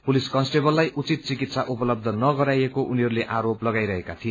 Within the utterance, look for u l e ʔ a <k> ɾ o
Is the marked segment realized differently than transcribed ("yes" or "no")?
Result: yes